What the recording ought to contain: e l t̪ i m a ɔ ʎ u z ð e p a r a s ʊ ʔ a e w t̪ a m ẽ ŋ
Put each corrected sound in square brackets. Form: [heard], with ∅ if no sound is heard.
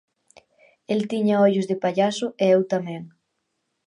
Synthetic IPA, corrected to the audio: e l t̪ i [ɲ] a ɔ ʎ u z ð e p a [ʎ] a s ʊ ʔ [e] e w t̪ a m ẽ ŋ